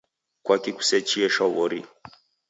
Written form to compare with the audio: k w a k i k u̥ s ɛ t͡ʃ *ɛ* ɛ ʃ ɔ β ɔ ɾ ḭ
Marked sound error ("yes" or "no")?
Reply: yes